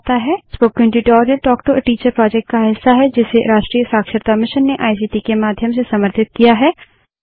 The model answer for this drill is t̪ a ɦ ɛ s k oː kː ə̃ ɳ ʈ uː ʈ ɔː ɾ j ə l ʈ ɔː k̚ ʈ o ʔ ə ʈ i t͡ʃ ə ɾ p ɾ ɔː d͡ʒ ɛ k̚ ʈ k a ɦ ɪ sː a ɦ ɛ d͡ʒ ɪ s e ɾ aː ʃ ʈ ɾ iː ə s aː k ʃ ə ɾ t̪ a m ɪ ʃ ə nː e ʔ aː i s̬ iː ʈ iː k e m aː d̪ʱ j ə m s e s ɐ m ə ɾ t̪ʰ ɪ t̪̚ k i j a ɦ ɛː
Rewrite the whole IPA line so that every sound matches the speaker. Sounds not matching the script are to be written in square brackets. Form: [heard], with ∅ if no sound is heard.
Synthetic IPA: t̪ a ɦ ɛ s [p] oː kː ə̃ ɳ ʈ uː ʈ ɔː ɾ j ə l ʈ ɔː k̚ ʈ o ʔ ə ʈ [iː] t͡ʃ ə ɾ p ɾ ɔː d͡ʒ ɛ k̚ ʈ k a ɦ ɪ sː a ɦ ɛ d͡ʒ ɪ s e ɾ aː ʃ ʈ ɾ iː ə s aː k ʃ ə ɾ t̪ a m ɪ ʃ ə nː e ʔ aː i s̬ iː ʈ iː k e m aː d̪ʱ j ə m s e s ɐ m ə ɾ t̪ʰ ɪ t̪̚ k i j a ɦ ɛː